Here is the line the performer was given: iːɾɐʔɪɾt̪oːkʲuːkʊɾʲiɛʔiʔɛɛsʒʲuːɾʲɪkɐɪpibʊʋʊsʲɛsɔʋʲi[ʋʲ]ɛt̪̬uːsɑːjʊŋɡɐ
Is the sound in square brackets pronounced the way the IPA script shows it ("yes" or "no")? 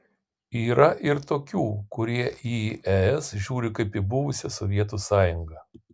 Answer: no